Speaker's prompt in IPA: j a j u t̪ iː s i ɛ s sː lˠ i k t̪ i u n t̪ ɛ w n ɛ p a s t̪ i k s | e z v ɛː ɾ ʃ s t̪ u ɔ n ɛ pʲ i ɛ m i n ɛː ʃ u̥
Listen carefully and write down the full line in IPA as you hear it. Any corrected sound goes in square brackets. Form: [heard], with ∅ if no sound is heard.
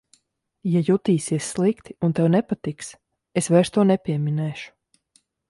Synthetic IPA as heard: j a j u t̪ iː s i ɛ s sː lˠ i k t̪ i u n t̪ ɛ w n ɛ p a [∅] t̪ i k s | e [s] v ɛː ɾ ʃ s t̪ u ɔ n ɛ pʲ i ɛ m i n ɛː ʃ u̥